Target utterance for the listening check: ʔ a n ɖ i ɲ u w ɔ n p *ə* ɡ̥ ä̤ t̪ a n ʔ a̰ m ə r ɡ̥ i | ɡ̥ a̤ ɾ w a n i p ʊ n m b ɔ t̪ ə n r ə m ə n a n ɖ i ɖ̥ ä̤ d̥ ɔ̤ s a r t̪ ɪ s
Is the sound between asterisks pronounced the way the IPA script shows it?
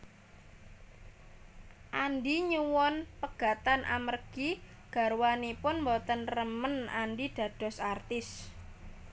yes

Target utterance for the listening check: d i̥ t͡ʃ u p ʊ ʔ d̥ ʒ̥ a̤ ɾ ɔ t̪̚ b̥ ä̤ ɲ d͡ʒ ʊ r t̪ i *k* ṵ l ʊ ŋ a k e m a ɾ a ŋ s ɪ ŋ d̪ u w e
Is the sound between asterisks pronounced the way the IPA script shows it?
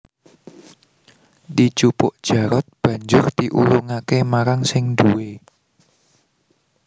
no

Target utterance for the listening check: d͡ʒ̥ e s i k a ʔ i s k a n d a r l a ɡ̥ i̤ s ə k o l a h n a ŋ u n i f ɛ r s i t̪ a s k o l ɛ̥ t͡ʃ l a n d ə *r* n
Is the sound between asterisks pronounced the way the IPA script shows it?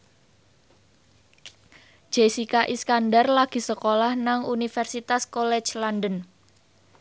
no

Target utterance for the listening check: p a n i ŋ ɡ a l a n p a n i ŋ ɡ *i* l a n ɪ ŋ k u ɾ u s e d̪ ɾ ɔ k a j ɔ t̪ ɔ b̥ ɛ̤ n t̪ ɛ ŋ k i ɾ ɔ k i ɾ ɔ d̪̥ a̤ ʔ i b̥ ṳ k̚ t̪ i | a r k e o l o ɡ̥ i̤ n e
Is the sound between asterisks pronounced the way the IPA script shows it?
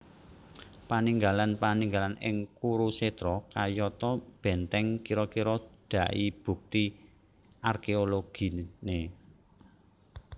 no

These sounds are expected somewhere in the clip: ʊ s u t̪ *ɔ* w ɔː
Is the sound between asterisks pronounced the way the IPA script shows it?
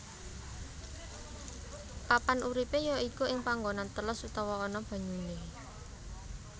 yes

